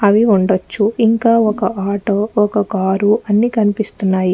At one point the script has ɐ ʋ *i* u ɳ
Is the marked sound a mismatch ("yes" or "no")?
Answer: no